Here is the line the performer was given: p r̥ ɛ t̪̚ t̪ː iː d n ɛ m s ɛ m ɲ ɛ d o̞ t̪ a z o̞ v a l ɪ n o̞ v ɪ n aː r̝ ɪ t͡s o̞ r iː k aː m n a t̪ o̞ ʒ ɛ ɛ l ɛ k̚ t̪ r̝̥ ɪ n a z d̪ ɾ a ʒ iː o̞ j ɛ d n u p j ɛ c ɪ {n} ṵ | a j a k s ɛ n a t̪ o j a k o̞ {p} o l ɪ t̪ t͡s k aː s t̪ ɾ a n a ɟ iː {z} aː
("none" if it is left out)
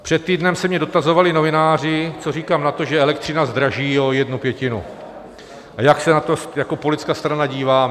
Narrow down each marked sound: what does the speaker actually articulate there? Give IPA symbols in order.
n, p, v

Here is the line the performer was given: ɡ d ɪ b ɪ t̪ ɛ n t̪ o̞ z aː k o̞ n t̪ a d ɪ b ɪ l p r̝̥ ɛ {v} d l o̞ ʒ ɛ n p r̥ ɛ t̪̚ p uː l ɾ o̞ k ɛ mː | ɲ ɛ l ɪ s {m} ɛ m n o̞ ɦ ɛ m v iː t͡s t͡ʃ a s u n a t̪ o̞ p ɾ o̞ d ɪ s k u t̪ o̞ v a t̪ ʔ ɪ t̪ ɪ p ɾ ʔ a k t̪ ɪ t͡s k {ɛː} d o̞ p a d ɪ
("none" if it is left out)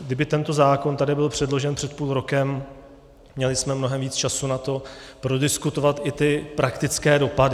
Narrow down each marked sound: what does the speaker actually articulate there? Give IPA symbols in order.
none, m, ɛː

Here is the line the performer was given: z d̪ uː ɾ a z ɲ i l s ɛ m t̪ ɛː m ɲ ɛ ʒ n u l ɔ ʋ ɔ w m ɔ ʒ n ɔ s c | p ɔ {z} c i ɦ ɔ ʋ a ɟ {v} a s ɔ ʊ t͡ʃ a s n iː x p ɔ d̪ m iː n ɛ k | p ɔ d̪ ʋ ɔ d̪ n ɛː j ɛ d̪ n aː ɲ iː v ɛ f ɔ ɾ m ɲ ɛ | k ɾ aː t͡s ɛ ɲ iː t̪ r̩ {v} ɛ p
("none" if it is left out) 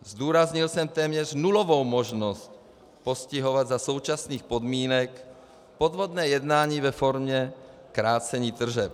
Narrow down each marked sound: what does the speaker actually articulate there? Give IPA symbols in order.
s, z, ʒ

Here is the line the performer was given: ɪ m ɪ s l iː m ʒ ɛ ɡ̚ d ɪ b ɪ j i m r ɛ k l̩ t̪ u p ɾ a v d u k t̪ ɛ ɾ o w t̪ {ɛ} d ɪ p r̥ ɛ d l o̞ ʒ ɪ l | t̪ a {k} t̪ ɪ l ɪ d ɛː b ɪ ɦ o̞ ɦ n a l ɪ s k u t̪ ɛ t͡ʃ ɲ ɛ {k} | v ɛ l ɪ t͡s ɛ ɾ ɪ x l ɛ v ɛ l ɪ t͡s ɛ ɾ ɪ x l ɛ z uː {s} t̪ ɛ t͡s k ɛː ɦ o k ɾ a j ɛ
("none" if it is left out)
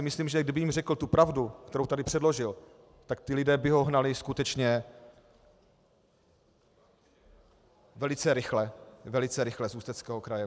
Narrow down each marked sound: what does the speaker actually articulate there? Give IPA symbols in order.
a, k, none, s

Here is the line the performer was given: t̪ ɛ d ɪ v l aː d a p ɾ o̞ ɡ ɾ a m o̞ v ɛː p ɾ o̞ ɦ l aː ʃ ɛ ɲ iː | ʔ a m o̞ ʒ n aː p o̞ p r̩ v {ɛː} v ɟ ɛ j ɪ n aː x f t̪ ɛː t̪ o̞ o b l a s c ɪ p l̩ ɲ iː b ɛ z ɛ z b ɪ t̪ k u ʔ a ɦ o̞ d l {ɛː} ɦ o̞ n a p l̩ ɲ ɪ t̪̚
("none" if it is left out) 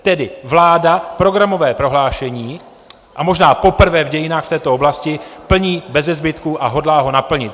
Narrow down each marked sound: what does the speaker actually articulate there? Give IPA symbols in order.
ɛː, aː

